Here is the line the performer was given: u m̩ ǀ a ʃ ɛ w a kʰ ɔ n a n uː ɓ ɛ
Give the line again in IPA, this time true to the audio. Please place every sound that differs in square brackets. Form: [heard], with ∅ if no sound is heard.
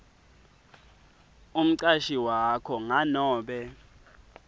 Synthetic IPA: u m̩ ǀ a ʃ [i] w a kʰ ɔ [ŋ] a n [ɔː] ɓ ɛ